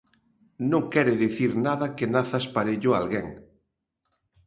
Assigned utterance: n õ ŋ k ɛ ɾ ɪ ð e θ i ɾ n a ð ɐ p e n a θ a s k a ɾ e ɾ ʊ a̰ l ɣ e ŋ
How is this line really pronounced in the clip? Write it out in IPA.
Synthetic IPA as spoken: n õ ŋ k ɛ ɾ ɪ ð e θ i ɾ n a ð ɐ k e n a θ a s p a ɾ e ʎ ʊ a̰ l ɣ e ŋ